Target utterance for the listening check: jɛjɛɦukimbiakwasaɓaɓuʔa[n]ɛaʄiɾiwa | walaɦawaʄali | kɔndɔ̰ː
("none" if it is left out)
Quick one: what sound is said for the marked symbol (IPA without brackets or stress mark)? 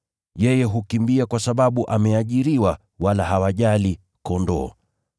m